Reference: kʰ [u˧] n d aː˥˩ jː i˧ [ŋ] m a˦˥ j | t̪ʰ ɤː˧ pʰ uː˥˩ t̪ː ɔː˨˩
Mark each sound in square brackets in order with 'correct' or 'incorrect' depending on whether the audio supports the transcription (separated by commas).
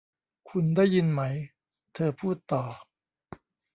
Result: correct, incorrect